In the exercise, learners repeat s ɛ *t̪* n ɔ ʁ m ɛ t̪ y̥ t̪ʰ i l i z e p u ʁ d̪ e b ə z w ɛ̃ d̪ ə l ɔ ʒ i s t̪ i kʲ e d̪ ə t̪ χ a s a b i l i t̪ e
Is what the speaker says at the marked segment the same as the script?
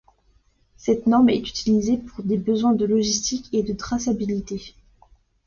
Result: yes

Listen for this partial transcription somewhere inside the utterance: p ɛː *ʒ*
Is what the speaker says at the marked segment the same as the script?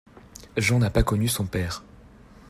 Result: no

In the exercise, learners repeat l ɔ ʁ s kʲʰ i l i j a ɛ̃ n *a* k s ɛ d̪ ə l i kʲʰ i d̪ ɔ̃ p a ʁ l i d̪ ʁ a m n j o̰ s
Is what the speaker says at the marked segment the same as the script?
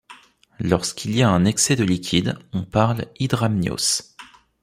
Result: no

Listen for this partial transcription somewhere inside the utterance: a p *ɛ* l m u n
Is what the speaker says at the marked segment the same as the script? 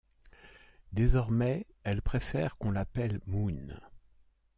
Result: yes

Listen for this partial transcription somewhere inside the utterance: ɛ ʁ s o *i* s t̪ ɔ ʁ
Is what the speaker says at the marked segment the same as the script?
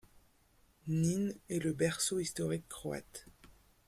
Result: yes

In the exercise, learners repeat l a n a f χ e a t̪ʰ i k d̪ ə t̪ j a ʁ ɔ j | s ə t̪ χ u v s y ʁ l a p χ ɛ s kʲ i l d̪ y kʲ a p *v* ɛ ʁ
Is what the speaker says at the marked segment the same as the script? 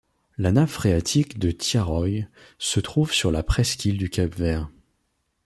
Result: yes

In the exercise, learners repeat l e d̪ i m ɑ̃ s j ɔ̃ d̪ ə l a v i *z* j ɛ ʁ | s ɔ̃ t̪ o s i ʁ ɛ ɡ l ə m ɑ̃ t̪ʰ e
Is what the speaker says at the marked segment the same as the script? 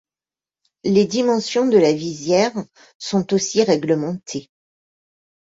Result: yes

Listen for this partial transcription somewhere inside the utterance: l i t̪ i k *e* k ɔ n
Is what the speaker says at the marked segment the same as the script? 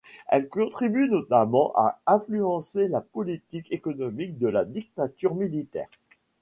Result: yes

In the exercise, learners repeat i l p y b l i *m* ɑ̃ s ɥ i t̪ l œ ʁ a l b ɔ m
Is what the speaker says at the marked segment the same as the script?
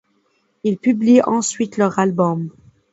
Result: no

